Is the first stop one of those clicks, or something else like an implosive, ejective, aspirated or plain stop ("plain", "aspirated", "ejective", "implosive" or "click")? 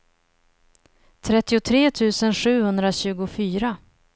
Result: aspirated